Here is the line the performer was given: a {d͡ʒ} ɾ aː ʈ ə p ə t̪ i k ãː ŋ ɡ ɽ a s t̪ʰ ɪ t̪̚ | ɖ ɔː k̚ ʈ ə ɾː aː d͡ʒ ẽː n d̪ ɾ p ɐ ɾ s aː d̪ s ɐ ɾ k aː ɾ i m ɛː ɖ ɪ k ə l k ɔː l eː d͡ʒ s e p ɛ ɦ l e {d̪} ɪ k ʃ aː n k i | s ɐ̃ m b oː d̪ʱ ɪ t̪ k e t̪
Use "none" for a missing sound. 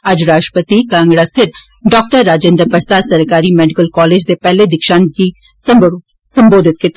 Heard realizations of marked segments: d͡ʒ, d̪

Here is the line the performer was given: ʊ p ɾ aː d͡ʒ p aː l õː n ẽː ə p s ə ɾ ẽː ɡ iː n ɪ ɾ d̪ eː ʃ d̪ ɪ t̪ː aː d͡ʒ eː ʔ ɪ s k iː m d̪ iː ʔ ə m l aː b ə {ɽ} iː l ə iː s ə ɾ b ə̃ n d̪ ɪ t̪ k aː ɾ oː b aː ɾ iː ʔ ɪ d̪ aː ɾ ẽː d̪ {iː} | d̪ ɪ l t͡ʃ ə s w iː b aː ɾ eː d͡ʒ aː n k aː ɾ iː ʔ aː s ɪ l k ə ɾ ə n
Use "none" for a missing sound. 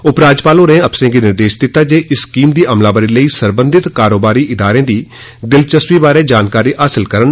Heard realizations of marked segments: ɾ, iː

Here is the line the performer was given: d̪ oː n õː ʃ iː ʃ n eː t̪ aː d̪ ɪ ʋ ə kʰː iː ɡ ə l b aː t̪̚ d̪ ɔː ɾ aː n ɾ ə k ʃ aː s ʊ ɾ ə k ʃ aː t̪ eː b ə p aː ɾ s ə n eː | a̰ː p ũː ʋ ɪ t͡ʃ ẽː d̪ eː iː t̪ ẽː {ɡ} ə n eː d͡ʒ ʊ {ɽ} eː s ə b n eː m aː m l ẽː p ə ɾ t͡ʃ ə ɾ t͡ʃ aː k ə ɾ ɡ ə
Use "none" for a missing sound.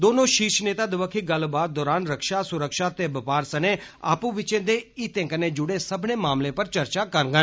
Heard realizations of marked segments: k, ɽ

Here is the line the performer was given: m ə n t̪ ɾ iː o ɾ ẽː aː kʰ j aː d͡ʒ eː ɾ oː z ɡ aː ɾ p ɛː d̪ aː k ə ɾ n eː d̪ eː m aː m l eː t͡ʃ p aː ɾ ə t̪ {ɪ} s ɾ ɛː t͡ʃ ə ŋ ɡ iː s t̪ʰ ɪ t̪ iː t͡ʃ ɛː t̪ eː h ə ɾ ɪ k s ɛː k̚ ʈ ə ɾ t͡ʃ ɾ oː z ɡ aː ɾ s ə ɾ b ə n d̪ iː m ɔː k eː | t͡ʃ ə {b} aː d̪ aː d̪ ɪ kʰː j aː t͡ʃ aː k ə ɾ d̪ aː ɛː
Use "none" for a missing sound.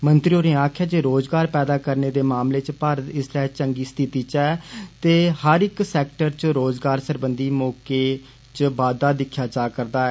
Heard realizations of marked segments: ɪ, b

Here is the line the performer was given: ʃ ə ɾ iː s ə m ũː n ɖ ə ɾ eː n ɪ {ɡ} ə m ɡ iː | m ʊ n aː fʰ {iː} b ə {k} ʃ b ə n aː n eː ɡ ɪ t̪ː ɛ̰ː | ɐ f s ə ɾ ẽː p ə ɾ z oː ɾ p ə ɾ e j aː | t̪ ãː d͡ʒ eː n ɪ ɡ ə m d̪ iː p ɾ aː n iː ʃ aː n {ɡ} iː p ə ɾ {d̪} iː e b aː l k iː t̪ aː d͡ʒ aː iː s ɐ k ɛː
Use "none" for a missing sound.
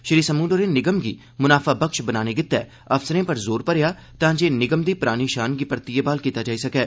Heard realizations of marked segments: ɡ, aː, k, ɡ, t̪

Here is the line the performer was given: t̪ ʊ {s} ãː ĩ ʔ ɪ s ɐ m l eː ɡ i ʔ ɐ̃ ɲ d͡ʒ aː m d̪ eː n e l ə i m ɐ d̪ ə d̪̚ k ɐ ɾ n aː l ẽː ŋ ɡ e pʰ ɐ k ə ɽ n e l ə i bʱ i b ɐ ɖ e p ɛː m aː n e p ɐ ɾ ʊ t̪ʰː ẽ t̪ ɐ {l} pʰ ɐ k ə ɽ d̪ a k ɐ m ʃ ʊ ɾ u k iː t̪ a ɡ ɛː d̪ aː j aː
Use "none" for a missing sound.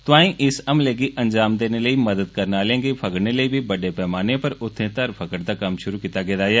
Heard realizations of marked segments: none, ɾ

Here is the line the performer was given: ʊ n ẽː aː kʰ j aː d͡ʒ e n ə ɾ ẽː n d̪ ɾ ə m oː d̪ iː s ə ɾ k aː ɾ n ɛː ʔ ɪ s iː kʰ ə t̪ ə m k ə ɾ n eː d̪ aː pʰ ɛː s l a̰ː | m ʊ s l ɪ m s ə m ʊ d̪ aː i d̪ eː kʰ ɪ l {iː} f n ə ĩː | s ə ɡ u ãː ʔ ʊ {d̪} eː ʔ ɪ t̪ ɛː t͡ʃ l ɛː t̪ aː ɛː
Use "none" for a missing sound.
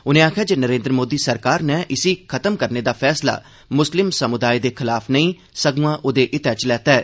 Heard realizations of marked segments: aː, d̪

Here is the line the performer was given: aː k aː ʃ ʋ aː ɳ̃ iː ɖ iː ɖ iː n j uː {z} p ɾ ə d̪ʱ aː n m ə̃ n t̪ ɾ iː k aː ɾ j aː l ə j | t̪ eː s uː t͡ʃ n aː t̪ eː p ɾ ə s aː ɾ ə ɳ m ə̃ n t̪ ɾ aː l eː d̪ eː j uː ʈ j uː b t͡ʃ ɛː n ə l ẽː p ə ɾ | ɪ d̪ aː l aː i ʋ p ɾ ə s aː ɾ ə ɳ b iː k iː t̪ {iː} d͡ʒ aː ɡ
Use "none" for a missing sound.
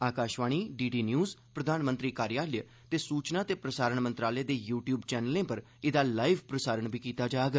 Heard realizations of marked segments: z, aː

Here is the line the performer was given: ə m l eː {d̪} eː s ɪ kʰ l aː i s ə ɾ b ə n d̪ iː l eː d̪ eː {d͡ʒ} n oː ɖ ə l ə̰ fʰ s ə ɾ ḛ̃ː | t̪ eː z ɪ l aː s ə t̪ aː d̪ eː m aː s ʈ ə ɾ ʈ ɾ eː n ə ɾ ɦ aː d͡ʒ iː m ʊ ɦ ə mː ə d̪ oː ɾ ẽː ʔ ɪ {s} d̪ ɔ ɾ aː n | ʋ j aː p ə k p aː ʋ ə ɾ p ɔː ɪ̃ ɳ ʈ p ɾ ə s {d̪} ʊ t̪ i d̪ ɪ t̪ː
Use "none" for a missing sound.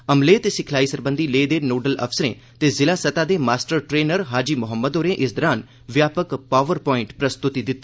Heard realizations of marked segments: t̪, none, s, t̪

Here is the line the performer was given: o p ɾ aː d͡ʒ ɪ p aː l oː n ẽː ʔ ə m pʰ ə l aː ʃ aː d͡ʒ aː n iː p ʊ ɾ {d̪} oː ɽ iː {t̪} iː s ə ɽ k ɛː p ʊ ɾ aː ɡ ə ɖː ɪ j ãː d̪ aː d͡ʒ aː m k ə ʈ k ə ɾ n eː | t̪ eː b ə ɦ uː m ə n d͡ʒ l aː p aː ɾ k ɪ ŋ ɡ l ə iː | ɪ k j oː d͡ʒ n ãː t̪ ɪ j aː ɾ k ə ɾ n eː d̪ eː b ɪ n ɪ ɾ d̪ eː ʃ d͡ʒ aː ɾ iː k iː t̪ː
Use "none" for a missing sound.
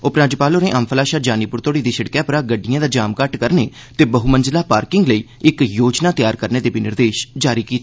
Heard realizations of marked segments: t̪, d̪

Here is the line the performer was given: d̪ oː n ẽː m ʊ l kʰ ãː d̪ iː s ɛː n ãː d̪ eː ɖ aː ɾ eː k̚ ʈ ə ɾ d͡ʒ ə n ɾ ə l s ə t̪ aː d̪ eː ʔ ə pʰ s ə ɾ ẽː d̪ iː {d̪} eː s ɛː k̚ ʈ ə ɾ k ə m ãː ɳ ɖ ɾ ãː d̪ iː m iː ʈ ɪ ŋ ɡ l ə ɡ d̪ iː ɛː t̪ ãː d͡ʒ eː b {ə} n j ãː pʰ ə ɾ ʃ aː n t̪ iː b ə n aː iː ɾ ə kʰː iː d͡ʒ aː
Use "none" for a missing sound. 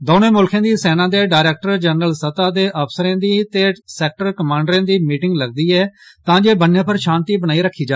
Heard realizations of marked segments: t̪, ə

